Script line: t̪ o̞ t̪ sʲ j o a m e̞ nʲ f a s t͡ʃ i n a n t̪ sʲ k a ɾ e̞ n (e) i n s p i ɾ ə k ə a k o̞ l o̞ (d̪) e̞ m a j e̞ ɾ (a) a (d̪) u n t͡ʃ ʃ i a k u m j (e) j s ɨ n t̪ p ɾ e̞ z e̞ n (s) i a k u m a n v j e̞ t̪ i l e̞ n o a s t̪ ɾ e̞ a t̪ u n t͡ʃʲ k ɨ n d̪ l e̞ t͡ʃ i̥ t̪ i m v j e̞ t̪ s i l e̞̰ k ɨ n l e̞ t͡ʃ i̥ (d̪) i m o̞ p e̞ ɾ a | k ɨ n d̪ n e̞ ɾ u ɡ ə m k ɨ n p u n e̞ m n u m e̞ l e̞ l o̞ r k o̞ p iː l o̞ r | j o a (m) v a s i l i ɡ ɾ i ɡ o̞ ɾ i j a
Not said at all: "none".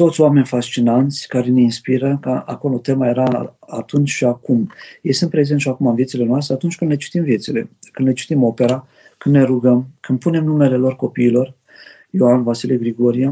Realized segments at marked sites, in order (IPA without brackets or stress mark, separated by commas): e, t̪, a, t̪, e, ʃ, t̪, n